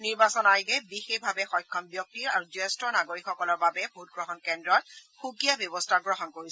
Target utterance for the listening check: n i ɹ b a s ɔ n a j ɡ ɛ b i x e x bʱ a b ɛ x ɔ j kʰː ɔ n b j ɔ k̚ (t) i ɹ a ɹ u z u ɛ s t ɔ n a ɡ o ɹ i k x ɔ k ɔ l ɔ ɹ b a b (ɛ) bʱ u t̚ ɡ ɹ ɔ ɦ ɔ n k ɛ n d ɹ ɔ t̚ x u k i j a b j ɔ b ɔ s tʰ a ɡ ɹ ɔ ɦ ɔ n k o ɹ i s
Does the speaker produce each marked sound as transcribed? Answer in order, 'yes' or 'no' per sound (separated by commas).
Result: yes, yes